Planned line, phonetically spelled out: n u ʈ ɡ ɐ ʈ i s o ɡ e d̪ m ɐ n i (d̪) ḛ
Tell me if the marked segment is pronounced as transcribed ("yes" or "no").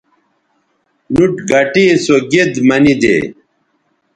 yes